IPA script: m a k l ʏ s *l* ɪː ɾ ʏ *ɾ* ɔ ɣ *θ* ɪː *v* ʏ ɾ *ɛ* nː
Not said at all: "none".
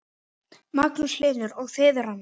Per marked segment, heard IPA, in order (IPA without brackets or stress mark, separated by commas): l, ɾ, θ, ð, a